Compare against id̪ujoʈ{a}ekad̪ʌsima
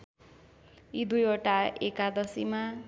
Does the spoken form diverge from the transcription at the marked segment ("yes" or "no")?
no